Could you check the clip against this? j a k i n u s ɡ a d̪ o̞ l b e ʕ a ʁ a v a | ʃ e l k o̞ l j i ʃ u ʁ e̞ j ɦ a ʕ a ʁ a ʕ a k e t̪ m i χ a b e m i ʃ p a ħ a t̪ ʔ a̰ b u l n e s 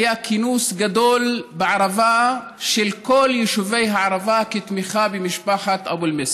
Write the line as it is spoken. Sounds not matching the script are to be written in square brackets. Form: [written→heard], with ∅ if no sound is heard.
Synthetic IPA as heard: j a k i n u s ɡ a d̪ o̞ l b e ʕ a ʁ a v a | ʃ e l k o̞ l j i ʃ u [ʁ→v] e̞ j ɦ a ʕ a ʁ a [ʕ→v] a k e t̪ m i χ a b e m i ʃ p a ħ a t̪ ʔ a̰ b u l [n→m] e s

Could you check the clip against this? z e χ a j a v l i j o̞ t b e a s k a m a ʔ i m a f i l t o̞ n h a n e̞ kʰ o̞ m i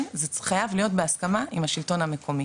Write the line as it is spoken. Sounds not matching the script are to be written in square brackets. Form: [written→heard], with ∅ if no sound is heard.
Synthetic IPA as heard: z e χ a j a v l i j o̞ t b e a s k a m a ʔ i m a [f→ʃ] i l t o̞ n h a [n→m] e̞ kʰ o̞ m i

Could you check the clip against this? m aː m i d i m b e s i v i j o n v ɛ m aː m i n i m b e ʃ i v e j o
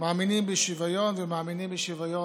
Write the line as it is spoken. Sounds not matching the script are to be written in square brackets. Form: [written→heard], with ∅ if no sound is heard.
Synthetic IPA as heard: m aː m i [d→n] i m b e [s→ʃ] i v [i→a] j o n v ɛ m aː m i n i m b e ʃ i v [e→a] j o

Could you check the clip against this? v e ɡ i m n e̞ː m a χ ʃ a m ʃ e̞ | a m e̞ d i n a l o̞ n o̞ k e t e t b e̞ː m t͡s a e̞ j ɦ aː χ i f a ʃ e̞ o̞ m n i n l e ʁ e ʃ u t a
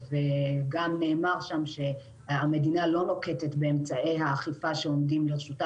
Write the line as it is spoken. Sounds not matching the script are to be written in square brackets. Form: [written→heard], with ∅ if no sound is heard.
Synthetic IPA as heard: v e ɡ [i→a] m n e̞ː m a [χ→ʁ] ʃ a m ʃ e̞ | a m e̞ d i n a l o̞ n o̞ k e t e t b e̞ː m t͡s a e̞ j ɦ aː χ i f a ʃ e̞ o̞ m [n→d] i [n→m] l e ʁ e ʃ u t a

